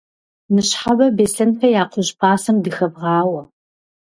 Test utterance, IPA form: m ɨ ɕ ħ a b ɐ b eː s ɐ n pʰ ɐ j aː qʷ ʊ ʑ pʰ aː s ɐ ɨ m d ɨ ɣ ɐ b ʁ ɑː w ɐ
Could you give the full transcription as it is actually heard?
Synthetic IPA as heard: n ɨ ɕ ħ a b ɐ b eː s ɐ n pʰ ɐ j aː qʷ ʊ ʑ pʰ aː s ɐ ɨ m d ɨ x ɐ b ʁ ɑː w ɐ